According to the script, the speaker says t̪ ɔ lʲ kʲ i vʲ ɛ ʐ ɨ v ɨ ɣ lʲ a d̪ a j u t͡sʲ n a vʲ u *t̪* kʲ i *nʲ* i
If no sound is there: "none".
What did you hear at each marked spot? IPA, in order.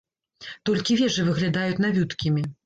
t̪, mʲ

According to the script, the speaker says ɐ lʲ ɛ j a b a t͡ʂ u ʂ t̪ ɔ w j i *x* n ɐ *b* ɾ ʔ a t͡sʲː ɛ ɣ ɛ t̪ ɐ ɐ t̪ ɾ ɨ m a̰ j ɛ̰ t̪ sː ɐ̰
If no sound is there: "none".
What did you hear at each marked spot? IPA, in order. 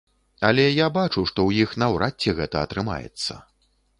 x, w

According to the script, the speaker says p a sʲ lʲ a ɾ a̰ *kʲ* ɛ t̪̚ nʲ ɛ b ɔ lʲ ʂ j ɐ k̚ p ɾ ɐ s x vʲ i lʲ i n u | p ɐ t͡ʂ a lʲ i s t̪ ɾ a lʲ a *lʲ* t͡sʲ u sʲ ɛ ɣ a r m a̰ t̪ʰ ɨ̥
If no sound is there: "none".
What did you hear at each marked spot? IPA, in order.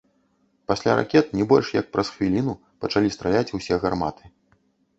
kʲ, none

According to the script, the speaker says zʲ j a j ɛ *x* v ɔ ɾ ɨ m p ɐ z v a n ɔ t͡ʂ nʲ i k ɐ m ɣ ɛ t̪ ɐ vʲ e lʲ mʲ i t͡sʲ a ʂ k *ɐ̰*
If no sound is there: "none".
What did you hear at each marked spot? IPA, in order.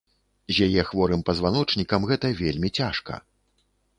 x, ɐ̰

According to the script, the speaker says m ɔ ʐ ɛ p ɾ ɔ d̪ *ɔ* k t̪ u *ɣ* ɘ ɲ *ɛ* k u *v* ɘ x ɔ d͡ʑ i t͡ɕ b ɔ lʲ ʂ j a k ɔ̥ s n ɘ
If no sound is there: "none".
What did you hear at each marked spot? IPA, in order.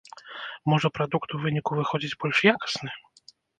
u, v, i, v

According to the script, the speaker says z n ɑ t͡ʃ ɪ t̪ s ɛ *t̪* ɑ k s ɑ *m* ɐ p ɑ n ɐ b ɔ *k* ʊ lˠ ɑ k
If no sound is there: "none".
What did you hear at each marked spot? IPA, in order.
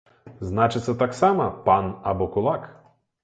t̪, m, k

